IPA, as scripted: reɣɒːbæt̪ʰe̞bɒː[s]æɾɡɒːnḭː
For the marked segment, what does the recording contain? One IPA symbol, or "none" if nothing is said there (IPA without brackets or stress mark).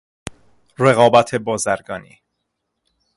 z